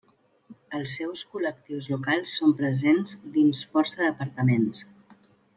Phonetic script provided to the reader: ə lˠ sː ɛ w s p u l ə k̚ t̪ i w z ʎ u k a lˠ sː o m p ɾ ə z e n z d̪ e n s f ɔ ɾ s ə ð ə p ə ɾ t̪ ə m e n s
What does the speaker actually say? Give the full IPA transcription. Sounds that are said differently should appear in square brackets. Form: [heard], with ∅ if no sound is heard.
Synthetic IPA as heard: ə lˠ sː ɛ w s [k] u l ə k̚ t̪ i w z [l] u k a lˠ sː o m p ɾ ə z e n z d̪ [i] n s f ɔ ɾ s ə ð ə p ə ɾ t̪ ə m e n s